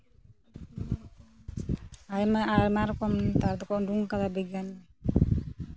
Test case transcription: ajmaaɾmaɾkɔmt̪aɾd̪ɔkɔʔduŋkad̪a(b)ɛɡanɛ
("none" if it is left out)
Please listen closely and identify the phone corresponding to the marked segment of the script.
b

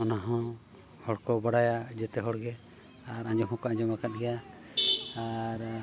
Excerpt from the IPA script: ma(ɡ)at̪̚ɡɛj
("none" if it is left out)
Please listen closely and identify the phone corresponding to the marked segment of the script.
k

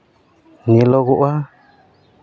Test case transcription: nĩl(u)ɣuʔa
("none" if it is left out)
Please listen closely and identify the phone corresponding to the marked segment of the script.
o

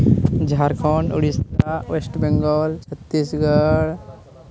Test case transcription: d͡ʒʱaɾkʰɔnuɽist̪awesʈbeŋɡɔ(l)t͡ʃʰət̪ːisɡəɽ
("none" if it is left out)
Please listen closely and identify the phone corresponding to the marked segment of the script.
l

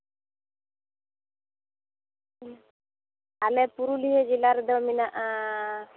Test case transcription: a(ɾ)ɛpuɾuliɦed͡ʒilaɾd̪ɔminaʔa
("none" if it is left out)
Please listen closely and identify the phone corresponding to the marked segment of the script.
l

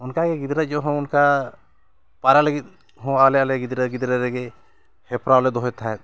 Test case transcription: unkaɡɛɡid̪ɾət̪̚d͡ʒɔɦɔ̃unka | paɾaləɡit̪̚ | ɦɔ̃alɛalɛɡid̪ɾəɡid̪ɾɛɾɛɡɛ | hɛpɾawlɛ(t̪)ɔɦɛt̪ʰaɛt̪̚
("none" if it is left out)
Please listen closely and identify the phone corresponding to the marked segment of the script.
d̪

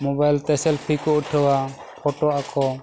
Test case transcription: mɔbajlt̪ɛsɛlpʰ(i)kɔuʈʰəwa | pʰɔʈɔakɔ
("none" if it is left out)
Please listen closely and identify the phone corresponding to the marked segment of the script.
i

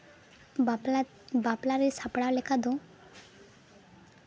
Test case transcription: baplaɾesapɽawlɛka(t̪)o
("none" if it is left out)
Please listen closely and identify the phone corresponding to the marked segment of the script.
d̪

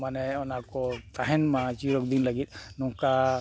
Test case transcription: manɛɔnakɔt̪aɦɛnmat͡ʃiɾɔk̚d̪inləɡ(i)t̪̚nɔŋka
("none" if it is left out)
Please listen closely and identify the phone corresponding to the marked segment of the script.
i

